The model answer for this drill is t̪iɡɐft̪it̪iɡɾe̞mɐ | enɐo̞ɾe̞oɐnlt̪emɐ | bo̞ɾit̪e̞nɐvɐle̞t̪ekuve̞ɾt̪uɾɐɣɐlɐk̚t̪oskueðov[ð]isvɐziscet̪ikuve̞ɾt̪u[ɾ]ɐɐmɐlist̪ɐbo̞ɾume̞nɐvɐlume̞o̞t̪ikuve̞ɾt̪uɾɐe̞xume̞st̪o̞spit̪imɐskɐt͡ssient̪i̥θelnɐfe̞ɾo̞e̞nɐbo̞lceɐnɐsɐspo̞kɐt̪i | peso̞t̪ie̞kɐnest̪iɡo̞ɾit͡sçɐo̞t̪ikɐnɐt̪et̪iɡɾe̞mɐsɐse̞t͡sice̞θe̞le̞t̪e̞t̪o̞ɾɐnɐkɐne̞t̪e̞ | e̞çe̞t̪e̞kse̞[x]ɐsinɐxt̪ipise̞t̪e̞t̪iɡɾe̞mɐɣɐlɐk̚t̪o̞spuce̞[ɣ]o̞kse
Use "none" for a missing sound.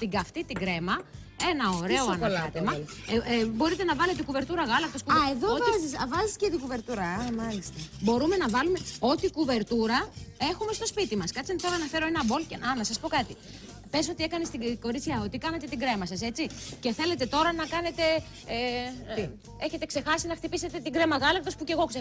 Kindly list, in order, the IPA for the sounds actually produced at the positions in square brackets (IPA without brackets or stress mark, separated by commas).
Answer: z, ɾ, x, ɣ